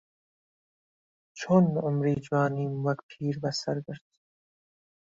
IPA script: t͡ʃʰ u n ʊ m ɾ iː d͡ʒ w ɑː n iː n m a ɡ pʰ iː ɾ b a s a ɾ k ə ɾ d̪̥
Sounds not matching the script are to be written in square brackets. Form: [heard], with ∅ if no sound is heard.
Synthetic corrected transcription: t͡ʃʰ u n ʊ m ɾ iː d͡ʒ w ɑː n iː [m] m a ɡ pʰ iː ɾ b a s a ɾ [ɡ] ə ɾ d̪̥